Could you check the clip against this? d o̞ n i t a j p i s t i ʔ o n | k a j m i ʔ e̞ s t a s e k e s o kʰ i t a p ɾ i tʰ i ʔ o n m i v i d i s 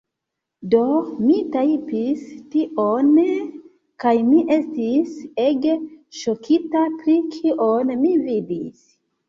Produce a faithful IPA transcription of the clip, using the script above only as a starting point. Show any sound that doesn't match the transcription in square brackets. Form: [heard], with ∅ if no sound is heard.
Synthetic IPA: d o̞ [m] i t a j p i s t i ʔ o n | k a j m i ʔ e̞ s t [i] s e [ɡ] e [ʃ] o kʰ i t a p ɾ i [kʰ] i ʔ o n m i v i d i s